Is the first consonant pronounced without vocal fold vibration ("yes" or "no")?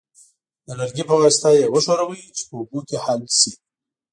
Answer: no